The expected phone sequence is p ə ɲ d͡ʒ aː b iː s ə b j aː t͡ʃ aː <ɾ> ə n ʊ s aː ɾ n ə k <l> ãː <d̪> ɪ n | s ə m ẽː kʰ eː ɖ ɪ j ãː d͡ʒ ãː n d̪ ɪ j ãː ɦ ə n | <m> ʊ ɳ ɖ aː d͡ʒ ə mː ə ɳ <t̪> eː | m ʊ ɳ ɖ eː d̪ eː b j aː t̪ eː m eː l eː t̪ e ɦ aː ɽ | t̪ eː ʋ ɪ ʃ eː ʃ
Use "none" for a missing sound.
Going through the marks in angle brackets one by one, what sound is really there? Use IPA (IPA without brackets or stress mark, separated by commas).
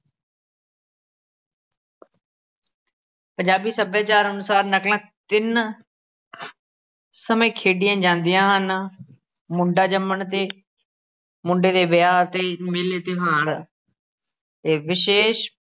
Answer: ɾ, l, t̪, m, t̪